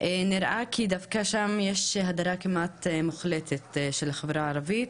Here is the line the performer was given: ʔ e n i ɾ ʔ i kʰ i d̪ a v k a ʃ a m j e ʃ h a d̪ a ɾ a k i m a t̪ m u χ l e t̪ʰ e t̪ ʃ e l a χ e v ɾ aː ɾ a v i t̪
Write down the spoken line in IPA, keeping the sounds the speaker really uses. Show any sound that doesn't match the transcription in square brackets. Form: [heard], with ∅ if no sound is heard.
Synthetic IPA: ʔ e n i ɾ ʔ [a] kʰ i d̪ a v k a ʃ a m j e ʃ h a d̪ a ɾ a k i m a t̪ m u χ l e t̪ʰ e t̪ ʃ e l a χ e v ɾ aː ɾ a v i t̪